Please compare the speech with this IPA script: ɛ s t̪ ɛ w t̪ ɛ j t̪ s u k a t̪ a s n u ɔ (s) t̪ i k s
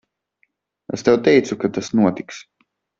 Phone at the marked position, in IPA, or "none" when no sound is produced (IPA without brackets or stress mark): none